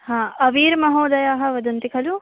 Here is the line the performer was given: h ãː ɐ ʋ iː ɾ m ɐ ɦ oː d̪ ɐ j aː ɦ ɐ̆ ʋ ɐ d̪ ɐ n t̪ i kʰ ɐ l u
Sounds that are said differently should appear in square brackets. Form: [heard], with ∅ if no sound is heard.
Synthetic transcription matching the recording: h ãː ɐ ʋ iː ɾ m ɐ ɦ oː d̪ ɐ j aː ɦ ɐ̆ ʋ ɐ d̪ ɐ n t̪ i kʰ ɐ l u